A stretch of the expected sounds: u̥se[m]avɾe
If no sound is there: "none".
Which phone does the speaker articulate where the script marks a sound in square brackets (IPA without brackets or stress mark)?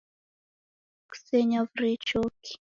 ɲ